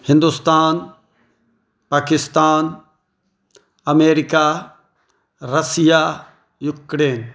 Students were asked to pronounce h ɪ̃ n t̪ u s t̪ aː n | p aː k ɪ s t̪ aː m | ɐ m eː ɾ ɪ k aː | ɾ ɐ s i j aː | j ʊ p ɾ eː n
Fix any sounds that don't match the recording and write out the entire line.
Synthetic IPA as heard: h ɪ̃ n d̪ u s t̪ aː n | p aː k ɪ s t̪ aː n | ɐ m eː ɾ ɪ k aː | ɾ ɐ s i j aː | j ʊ k ɾ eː n